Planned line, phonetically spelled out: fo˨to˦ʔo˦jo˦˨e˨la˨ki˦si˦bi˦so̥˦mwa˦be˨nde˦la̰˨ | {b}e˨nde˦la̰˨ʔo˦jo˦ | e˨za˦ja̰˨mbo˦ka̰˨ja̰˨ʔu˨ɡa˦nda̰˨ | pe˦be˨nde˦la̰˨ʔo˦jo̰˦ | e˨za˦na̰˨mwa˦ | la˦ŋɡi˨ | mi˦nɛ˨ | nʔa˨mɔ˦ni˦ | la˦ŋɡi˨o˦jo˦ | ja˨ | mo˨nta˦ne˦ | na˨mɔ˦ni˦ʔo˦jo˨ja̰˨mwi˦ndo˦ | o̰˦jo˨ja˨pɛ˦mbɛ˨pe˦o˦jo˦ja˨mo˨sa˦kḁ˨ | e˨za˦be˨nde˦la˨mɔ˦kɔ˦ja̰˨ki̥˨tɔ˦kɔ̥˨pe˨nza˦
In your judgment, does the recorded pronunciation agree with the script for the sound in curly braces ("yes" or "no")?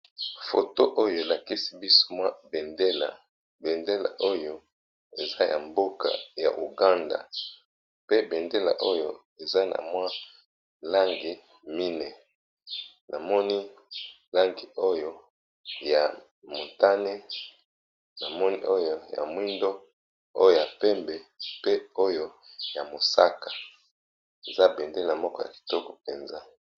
yes